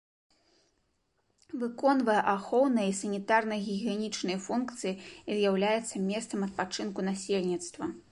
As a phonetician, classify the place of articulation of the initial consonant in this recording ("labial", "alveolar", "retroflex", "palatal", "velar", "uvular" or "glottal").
labial